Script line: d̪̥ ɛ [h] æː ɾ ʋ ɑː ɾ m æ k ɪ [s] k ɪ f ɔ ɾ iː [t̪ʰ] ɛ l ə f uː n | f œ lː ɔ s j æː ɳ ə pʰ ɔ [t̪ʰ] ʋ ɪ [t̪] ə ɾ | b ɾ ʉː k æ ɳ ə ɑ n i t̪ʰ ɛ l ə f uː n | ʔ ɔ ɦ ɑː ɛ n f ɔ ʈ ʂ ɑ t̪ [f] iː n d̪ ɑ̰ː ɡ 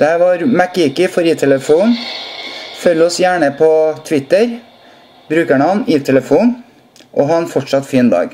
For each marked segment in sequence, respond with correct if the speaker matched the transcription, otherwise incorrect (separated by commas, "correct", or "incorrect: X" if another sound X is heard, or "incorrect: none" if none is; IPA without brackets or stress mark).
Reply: correct, incorrect: none, correct, correct, correct, correct